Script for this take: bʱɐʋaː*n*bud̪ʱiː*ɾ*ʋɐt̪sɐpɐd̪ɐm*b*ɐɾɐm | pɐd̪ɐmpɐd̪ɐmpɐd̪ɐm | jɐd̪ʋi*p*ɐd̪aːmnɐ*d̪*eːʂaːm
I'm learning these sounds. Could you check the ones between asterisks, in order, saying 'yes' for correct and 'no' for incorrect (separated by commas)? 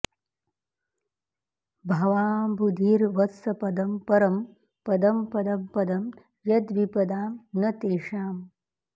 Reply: no, yes, no, yes, no